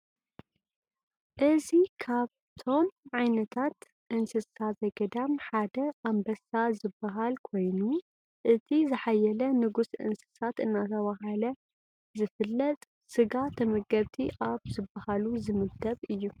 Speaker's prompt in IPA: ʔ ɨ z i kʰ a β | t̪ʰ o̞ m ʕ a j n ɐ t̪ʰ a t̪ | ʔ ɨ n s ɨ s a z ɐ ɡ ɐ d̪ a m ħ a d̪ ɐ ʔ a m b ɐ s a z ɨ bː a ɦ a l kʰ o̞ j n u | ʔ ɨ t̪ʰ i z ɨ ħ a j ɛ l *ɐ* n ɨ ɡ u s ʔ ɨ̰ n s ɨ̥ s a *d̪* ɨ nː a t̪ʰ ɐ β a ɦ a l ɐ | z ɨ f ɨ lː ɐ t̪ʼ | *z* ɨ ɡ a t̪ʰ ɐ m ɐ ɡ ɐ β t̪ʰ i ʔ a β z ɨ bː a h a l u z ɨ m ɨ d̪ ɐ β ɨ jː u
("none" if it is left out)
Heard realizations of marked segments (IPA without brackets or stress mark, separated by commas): ɐ, t̪, s